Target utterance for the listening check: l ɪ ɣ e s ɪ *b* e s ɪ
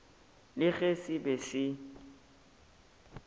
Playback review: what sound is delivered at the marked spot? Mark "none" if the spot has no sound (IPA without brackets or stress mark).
b